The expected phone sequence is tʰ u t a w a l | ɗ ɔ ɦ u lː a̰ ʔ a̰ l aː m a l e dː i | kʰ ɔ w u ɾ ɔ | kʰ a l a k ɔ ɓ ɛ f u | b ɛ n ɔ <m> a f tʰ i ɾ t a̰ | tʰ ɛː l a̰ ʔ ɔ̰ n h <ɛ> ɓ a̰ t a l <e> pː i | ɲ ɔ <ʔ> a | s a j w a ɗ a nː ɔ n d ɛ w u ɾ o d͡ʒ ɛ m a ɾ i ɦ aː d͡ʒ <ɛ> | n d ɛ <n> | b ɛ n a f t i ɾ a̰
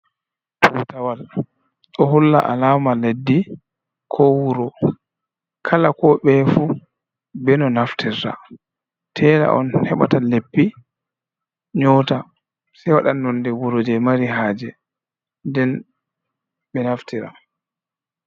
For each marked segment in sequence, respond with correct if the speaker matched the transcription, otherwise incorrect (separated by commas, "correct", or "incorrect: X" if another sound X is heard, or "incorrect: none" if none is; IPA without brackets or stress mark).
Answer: incorrect: n, correct, correct, incorrect: t, correct, correct